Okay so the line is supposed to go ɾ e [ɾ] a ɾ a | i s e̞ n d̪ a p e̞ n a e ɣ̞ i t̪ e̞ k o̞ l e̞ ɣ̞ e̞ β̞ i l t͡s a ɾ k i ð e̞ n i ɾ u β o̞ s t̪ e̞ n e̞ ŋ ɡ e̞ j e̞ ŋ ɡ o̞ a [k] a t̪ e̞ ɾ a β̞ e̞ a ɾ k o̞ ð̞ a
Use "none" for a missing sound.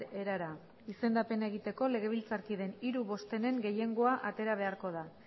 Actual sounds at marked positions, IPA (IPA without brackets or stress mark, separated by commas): ɾ, ʔ